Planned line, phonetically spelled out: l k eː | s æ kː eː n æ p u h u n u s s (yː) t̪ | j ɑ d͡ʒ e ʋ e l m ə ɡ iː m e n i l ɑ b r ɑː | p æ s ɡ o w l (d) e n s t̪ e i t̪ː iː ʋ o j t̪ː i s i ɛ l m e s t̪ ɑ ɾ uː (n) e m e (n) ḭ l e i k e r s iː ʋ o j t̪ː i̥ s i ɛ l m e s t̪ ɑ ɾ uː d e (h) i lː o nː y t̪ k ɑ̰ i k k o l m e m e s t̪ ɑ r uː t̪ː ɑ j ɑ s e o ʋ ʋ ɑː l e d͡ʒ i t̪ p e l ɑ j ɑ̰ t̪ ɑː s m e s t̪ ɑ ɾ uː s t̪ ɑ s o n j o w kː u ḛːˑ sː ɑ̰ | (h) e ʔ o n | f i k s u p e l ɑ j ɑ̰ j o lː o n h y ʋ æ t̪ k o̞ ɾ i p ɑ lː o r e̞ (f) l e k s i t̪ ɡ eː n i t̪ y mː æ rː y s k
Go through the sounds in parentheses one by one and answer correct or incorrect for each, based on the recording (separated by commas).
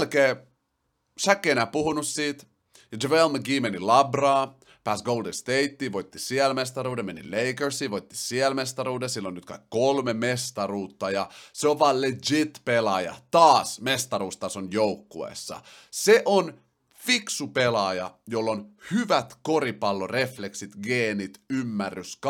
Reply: incorrect, correct, incorrect, correct, incorrect, incorrect, correct